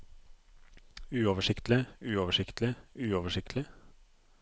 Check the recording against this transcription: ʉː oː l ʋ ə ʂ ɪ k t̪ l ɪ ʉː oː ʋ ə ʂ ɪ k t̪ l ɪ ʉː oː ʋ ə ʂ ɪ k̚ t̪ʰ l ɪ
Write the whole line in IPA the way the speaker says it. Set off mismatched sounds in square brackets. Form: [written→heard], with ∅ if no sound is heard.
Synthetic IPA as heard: ʉː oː [l→∅] ʋ ə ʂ ɪ k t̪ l ɪ ʉː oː ʋ ə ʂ ɪ k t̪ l ɪ ʉː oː ʋ ə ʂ ɪ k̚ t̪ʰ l ɪ

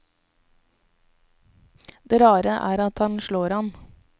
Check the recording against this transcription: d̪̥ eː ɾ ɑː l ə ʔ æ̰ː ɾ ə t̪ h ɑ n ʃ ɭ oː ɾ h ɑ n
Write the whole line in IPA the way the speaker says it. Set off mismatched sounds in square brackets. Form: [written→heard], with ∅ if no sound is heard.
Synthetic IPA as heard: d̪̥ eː ɾ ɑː [l→ɾ] ə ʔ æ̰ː ɾ [ə→ɑ] t̪ h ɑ n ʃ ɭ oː ɾ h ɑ n

